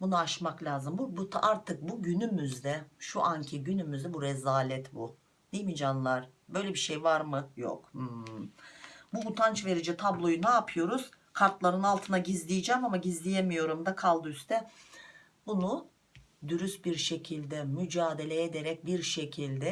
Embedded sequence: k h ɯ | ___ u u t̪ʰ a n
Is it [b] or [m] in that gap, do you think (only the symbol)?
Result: b